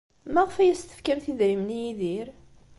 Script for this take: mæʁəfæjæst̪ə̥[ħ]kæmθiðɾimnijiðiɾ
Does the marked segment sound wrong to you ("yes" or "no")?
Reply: yes